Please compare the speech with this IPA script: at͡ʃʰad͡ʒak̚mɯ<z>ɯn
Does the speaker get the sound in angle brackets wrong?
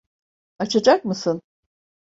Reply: yes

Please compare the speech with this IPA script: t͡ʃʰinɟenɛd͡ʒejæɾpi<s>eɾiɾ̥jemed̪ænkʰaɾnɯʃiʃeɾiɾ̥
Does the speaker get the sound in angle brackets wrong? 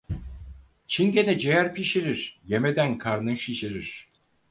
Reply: yes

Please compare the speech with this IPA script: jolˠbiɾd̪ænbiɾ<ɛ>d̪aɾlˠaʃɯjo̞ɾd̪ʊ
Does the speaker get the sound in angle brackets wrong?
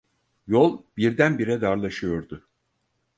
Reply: no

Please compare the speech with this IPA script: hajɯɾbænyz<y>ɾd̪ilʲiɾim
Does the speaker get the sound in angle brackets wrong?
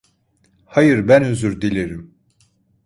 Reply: no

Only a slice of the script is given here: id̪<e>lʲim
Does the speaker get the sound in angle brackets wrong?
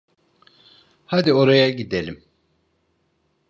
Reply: no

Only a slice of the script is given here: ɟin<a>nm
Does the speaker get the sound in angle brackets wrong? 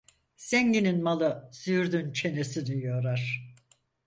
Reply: yes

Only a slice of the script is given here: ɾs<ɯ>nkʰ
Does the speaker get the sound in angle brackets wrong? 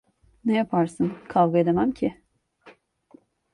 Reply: no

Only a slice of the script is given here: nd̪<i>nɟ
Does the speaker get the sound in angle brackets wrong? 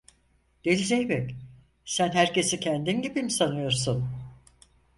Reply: no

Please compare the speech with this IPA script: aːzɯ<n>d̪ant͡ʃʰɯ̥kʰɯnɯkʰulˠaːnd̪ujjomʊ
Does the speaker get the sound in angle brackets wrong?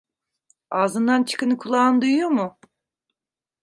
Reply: no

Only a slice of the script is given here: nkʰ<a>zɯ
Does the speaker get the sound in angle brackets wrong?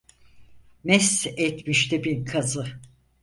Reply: no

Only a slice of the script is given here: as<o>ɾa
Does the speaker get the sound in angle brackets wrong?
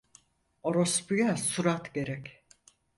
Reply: yes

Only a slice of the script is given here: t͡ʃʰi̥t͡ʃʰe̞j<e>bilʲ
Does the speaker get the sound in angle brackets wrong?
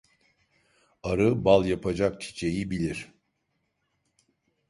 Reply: yes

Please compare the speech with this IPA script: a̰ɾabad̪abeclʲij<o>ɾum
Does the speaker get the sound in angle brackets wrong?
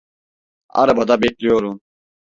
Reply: no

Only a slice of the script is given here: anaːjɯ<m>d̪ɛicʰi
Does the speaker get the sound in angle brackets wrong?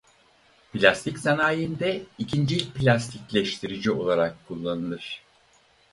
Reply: yes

